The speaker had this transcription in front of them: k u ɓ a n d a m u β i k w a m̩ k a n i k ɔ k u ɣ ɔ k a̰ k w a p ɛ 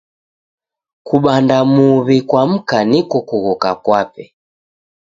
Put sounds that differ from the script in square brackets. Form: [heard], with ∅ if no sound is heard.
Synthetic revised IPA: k u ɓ a n d a m u β i k w a m̩ k a n i k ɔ k u ɣ ɔ k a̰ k w a p ɛ